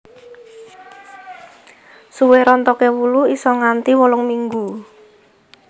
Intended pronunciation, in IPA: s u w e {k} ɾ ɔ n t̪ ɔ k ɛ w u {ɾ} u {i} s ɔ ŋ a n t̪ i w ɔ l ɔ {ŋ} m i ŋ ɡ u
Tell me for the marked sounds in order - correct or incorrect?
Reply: incorrect: none, incorrect: l, correct, correct

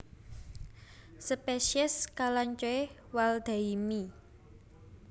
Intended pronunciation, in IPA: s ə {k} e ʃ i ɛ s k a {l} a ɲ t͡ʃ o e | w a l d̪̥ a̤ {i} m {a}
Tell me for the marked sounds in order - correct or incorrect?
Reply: incorrect: p, correct, correct, incorrect: i

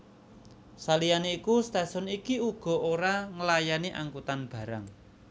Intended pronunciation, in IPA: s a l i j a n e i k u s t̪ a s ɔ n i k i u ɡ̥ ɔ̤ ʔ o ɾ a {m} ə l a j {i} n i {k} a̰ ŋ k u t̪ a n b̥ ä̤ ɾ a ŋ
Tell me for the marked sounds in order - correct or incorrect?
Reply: incorrect: ŋ, incorrect: a, incorrect: ʔ

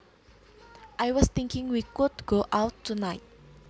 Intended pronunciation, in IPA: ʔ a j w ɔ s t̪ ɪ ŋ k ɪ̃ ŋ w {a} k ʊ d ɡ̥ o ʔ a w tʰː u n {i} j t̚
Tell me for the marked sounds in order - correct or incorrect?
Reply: incorrect: i, incorrect: a

